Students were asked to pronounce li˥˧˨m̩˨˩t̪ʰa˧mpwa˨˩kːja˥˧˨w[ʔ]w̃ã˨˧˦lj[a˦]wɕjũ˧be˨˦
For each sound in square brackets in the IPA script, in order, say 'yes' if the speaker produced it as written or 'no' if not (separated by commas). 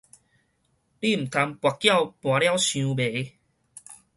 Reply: no, yes